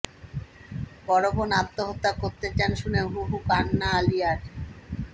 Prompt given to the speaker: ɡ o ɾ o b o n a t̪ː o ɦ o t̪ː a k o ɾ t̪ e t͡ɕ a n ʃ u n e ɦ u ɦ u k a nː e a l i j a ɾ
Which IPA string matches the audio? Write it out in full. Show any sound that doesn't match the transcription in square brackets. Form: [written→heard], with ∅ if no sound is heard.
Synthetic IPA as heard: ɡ [o→ɔ] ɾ o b o n a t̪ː o ɦ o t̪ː a k o ɾ t̪ e t͡ɕ a n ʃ u n e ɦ u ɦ u k a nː [e→a] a l i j a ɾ